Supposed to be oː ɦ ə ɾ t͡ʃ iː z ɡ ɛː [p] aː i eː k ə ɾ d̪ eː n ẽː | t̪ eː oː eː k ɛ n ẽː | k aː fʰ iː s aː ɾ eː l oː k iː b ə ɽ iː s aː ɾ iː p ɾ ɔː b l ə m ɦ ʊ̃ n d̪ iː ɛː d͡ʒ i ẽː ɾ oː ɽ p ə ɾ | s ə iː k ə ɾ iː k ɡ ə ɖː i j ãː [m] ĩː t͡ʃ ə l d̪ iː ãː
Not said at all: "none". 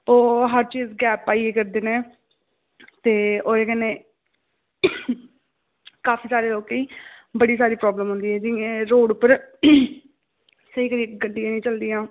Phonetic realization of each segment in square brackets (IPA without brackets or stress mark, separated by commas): p, n